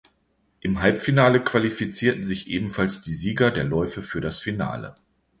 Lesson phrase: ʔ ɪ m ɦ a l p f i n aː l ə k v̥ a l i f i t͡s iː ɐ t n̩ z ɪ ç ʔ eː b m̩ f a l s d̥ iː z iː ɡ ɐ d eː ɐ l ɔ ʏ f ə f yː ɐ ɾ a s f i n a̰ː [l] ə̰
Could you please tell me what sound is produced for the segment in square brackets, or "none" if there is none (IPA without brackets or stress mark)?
l